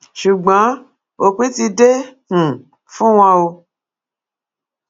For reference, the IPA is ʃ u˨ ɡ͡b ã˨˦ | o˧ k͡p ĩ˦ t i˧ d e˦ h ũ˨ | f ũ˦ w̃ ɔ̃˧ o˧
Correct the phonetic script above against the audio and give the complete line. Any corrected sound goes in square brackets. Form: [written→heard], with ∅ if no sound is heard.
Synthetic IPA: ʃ u˨ ɡ͡b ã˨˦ | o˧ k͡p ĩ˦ t i˧ d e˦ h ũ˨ | f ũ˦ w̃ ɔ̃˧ o˧